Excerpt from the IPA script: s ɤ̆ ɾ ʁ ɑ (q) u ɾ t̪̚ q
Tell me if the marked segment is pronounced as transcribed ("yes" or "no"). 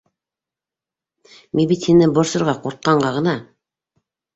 yes